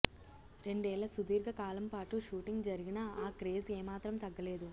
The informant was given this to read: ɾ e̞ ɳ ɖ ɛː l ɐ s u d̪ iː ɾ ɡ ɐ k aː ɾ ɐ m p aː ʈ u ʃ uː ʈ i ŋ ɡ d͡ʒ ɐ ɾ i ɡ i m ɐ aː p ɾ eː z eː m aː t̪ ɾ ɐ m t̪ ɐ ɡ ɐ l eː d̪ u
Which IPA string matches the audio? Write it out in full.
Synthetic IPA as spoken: ɾ e̞ ɳ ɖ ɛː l ɐ s u d̪ iː ɾ ɡ ɐ k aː l ɐ m p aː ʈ u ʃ uː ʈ i ŋ ɡ d͡ʒ ɐ ɾ i ɡ i n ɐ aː k ɾ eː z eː m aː t̪ ɾ ɐ m t̪ ɐ ɡː ɐ l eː d̪ u